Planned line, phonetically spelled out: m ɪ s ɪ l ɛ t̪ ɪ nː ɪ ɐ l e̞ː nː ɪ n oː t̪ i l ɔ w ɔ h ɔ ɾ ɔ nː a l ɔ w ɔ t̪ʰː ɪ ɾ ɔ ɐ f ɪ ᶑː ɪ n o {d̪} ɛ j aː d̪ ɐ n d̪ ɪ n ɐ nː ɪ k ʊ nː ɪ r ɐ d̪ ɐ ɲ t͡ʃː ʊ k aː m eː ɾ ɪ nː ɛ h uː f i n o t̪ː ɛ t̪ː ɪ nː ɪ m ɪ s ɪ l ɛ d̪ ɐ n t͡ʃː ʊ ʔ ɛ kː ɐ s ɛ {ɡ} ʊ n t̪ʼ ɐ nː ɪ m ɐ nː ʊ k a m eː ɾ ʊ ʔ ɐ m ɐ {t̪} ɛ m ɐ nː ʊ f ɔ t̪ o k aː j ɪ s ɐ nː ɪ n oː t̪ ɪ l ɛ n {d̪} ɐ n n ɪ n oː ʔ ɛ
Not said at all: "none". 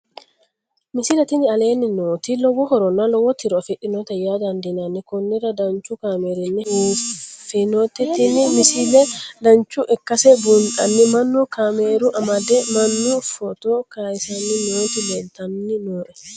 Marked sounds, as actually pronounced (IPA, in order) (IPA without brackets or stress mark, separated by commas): t̪, b, d̪, t̪